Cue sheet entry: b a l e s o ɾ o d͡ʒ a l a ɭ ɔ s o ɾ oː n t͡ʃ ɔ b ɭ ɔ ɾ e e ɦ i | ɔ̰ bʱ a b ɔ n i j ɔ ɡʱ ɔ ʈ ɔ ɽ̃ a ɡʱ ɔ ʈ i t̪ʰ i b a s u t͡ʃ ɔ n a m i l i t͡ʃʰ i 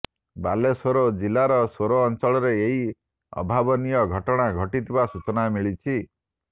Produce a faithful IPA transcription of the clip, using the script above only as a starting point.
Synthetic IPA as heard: b a l e s o ɾ o d͡ʒ i l a ɾ ɔ s o ɾ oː n t͡ʃ ɔ ɭ ɔ ɾ e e ɦ i | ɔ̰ bʱ a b ɔ n i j ɔ ɡʱ ɔ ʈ ɔ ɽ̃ a ɡʱ ɔ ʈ i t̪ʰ i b a s u t͡ʃ ɔ n a m i ɭ i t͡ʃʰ i